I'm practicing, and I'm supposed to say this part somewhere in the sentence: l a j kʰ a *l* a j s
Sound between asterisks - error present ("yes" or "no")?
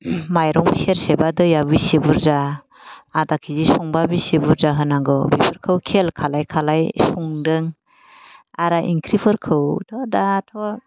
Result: no